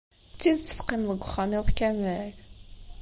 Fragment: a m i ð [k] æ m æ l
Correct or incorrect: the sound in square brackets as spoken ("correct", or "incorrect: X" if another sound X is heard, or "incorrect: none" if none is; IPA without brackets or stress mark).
correct